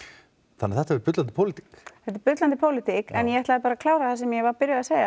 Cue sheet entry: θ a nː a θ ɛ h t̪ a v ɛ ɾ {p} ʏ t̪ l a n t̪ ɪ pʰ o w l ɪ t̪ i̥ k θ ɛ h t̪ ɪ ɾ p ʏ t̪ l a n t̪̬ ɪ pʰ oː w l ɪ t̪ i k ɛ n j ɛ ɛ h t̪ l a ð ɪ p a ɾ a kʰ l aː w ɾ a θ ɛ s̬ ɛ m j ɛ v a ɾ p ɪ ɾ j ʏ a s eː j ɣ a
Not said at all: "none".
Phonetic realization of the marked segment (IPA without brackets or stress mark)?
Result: p